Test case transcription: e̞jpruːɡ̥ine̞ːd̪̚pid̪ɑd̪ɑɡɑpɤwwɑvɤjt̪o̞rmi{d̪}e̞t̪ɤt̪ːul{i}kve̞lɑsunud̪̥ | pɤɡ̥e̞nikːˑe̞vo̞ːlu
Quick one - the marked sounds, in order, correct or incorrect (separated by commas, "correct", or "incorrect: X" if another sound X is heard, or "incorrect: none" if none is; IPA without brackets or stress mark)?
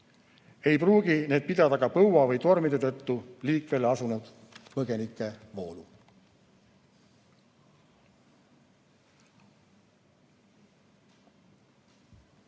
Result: correct, incorrect: iː